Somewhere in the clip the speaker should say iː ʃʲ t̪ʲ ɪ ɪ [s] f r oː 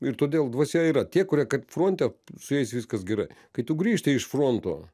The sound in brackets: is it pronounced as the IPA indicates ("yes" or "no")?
no